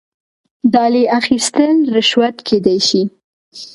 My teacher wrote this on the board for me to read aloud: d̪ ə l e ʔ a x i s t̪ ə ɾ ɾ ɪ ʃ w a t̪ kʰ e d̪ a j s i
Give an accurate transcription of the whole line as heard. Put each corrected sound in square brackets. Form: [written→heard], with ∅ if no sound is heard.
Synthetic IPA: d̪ [ə→ɑ] l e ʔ a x i s t̪ ə [ɾ→l] ɾ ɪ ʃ w a t̪ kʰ e d̪ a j [s→ʃ] i